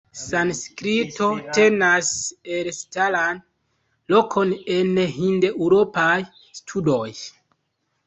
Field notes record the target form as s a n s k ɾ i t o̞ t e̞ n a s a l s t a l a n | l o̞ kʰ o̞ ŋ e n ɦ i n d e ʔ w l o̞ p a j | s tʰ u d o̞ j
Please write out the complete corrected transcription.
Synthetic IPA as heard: s a n s k ɾ i t o̞ t e̞ n a s e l s t a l a n | l o̞ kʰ o̞ n e n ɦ i n d e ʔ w ɾ o̞ p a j | s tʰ u d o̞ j

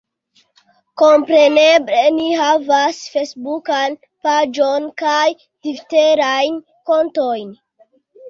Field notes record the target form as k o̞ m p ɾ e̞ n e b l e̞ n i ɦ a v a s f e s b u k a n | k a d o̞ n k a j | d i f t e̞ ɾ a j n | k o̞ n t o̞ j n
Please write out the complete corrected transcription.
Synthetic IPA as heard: k o̞ m p ɾ e̞ n e b l e̞ n i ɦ a v a s f e s b u k a n | p a d͡ʒ o̞ n k a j | d i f t e̞ ɾ a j n | k o̞ n t o̞ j n

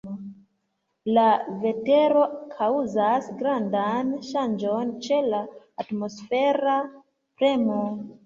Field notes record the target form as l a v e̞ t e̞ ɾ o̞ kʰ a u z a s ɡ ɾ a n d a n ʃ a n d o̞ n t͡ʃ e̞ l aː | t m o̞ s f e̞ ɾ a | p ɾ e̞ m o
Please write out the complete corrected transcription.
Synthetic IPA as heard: l a v e̞ t e̞ ɾ o̞ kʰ a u z a s ɡ ɾ a n d a n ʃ a n d͡ʒ o̞ n t͡ʃ e̞ l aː | t m o̞ s f e̞ ɾ a | p ɾ e̞ m o

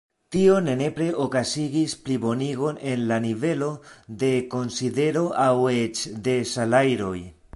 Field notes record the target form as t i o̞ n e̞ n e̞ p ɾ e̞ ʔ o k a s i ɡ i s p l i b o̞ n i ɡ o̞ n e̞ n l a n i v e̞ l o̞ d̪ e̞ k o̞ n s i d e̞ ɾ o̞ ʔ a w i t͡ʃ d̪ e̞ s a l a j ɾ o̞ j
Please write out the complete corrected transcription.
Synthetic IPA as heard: t i o̞ n e̞ n e̞ p ɾ e̞ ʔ o k a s i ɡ i s p l i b o̞ n i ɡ o̞ n e̞ n l a n i v e̞ l o̞ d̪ e̞ k o̞ n s i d e̞ ɾ o̞ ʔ a w e t͡ʃ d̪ e̞ s a l a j ɾ o̞ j

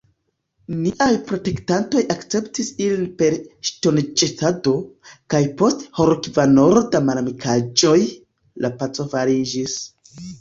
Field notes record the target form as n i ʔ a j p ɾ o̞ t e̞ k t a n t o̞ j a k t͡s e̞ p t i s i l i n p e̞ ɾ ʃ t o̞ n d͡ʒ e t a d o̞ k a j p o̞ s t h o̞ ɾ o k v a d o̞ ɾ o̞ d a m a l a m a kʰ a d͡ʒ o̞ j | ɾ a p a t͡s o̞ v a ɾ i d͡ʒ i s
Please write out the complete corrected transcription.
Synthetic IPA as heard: n i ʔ a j p ɾ o̞ t e̞ k t a n t o̞ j a k t͡s e̞ p t i s i l i n p e̞ ɾ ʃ t o̞ n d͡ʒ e t a d o̞ k a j p o̞ s t h o̞ ɾ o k v a n o̞ ɾ o̞ d a m a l a m i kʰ a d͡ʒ o̞ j | l a p a t͡s o̞ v a ɾ i d͡ʒ i s

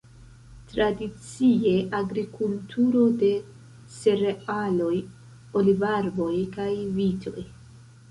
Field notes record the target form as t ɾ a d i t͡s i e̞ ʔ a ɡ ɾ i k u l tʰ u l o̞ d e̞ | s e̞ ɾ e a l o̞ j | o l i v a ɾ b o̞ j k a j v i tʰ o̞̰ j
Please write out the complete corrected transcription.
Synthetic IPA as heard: t ɾ a d i t͡s i e̞ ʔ a ɡ ɾ i k u l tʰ u ɾ o̞ d e̞ | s e̞ ɾ e a l o̞ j | o l i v a ɾ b o̞ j k a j v i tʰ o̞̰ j

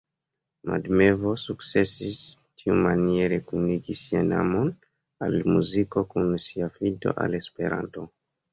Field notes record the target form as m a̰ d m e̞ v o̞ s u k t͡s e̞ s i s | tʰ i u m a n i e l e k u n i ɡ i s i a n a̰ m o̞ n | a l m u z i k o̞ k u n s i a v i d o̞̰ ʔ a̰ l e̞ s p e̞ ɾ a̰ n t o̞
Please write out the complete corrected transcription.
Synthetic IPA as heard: m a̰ d m e̞ v o̞ s u k t͡s e̞ s i s | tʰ i u m a n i e ɾ e k u n i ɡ i s i a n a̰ m o̞ n | a l m u z i k o̞ k u n s i a f i d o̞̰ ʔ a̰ l e̞ s p e̞ ɾ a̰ n t o̞

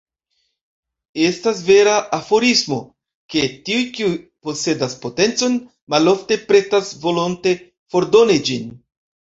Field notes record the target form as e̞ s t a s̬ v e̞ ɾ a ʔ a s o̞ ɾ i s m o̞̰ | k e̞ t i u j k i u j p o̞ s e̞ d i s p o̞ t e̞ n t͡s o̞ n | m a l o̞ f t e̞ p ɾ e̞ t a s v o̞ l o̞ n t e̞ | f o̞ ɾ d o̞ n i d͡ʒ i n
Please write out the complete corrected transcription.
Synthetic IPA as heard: e̞ s t a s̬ v e̞ ɾ a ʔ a f o̞ ɾ i s m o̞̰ | k e̞ t i u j k i u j p o̞ s e̞ d a s p o̞ t e̞ n t͡s o̞ n | m a l o̞ f t e̞ p ɾ e̞ t a s v o̞ l o̞ n t e̞ | f o̞ ɾ d o̞ n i d͡ʒ i n

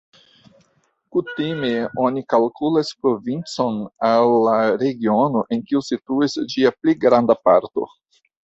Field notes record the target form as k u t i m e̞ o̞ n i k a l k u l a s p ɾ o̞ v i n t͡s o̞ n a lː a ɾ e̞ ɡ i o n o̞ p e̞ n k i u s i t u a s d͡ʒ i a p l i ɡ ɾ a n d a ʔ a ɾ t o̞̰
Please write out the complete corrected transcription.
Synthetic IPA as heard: k u t i m e̞ o̞ n i k a l k u l a s p ɾ o̞ v i n t͡s o̞ n a lː a ɾ e̞ ɡ i o n o̞ ʔ e̞ n k i u s i t u i s d͡ʒ i a p l i ɡ ɾ a n d a p a ɾ t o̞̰

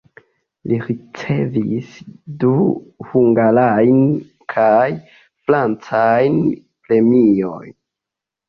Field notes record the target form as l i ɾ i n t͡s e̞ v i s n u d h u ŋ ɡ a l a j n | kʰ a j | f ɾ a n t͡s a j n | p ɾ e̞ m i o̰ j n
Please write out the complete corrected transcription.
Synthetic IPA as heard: l i ɾ i t͡s e̞ v i s d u h u ŋ ɡ a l a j n | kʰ a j | f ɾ a n t͡s a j n | p ɾ e̞ m i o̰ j n

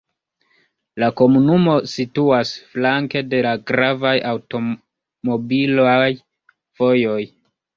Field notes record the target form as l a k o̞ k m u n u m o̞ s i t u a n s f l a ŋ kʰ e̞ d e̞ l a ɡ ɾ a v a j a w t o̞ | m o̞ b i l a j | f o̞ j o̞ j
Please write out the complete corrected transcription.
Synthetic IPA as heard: l a k o̞ m u n u m o̞ s i t u a s f l a ŋ k e̞ d e̞ l a ɡ ɾ a v a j a w t o̞ | m o̞ b i l a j | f o̞ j o̞ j

